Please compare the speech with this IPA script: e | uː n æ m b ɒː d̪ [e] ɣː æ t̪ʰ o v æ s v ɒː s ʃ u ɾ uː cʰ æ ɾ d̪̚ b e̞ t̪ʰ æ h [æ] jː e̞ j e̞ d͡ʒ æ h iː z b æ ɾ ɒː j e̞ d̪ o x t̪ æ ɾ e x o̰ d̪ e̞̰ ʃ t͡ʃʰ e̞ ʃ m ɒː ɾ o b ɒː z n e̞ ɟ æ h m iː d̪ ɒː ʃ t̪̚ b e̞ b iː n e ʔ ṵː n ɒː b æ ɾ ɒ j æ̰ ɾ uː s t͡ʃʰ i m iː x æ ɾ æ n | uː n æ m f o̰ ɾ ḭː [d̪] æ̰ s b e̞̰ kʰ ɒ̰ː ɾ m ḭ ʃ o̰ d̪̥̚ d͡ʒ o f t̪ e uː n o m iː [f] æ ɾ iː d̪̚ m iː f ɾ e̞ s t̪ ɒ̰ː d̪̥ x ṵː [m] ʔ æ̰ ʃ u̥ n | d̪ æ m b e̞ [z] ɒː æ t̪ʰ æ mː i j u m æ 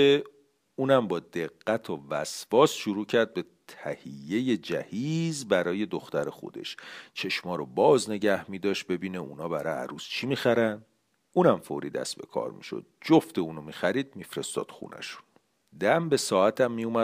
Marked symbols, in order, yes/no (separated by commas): yes, no, yes, no, no, no